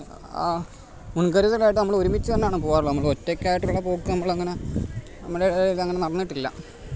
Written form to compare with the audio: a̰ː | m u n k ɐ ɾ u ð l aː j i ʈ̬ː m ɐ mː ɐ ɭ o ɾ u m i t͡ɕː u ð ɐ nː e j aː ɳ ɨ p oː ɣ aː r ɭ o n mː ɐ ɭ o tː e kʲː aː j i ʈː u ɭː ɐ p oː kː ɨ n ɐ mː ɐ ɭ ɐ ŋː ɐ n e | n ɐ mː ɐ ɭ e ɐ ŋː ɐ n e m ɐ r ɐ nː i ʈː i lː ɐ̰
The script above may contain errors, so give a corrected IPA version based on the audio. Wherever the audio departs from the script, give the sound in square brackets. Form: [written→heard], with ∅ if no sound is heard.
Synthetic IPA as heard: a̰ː | m u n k ɐ ɾ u ð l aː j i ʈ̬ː [m→n] ɐ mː ɐ ɭ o ɾ u m i t͡ɕː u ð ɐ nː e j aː ɳ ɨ p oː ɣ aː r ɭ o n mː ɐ ɭ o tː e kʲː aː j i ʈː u ɭː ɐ p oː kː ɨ n ɐ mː ɐ ɭ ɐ ŋː ɐ n e | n ɐ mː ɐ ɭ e ɐ ŋː ɐ n e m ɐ r ɐ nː i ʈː i lː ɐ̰